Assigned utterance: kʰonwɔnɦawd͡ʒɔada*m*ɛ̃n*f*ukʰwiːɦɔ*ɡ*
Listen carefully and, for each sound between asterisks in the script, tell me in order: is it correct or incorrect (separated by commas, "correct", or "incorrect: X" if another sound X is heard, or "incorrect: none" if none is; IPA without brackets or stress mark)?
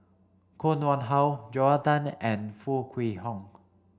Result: incorrect: n, correct, incorrect: ŋ